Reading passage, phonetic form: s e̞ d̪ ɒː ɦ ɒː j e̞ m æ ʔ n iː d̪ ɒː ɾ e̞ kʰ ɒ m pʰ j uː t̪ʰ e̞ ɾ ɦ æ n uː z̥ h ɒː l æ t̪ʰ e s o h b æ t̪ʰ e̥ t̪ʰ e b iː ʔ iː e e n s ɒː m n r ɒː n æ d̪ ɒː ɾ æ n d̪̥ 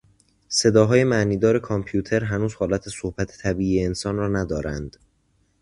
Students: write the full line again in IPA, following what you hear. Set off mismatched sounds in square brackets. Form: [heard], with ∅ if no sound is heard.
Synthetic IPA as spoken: s e̞ d̪ ɒː ɦ ɒː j e̞ m æ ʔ n iː d̪ ɒː ɾ e̞ kʰ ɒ m pʰ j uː t̪ʰ e̞ ɾ ɦ æ n uː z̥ h ɒː l æ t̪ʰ e s o h b æ t̪ʰ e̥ t̪ʰ [æ] b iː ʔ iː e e n s ɒː [∅] n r ɒː n æ d̪ ɒː ɾ æ n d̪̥